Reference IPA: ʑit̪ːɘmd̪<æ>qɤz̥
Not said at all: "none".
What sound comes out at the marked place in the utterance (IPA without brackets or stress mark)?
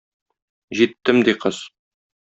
i